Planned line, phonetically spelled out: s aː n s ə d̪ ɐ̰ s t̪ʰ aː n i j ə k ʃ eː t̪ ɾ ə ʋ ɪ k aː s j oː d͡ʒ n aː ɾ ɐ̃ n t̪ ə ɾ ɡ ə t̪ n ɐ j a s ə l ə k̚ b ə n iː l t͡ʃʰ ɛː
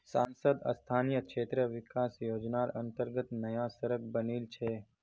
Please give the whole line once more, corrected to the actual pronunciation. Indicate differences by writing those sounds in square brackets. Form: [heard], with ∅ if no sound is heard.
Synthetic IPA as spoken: s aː n s ə d̪ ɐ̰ s t̪ʰ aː n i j ə k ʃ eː t̪ ɾ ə ʋ ɪ k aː s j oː d͡ʒ n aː ɾ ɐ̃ n t̪ ə ɾ ɡ ə t̪ n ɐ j a s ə [ɾ] ə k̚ b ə n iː l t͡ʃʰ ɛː